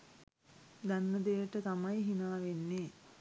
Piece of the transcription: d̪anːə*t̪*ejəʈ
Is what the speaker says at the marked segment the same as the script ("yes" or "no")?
no